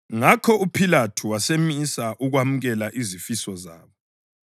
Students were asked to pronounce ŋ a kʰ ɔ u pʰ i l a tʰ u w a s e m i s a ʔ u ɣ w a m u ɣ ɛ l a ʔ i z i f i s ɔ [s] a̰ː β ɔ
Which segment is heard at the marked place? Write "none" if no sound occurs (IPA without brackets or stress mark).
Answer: z